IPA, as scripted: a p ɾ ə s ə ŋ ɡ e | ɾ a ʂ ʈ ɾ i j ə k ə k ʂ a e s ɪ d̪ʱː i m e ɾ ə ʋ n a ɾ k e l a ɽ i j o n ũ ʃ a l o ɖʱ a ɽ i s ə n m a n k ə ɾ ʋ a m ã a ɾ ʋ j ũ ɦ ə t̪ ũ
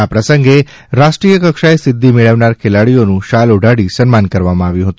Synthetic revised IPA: a p ɾ ə s ə ŋ ɡ e | ɾ a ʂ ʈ ɾ i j ə k ə k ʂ a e s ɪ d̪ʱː i m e ɭ ə ʋ n a ɾ kʰ e l a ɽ i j o n ũ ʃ a l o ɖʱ a ɽ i s ə n m a n k ə ɾ ʋ a m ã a ʋ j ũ ɦ ə t̪ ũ